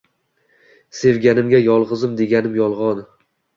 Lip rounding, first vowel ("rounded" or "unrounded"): unrounded